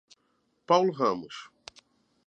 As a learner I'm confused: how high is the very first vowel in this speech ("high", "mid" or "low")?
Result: low